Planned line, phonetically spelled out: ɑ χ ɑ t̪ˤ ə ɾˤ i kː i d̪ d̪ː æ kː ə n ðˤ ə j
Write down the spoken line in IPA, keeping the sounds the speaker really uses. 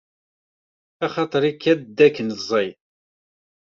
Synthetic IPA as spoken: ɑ χ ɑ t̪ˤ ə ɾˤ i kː æ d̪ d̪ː æ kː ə n zˤ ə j